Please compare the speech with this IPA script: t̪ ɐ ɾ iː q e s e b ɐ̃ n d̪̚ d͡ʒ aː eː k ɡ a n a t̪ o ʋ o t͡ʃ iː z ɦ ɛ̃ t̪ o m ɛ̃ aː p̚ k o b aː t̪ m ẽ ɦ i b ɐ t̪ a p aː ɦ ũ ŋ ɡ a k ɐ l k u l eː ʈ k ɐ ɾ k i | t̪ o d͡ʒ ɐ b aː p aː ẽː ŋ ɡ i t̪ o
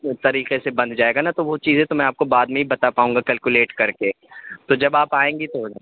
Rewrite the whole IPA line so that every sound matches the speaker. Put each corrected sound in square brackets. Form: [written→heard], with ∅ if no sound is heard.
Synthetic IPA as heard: t̪ ɐ ɾ iː q e s e b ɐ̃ n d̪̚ d͡ʒ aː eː [k→∅] ɡ a n a t̪ o ʋ o t͡ʃ iː z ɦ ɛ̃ t̪ o m ɛ̃ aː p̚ k o b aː [t̪→d̪] m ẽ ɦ i b ɐ t̪ a p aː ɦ ũ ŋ ɡ a k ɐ l k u l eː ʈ k ɐ ɾ k [i→e] | t̪ o d͡ʒ ɐ b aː p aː ẽː ŋ ɡ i t̪ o